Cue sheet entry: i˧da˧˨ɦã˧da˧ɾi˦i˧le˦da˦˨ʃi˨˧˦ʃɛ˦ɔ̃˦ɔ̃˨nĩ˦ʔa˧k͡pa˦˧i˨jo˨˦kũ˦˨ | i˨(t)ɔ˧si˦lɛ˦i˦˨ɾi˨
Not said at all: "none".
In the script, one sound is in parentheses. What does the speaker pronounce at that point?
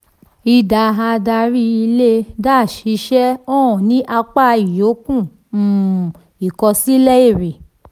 k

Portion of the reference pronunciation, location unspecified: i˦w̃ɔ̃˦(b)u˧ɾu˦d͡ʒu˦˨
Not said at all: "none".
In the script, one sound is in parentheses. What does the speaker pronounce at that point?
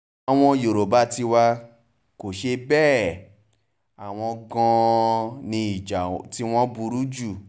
b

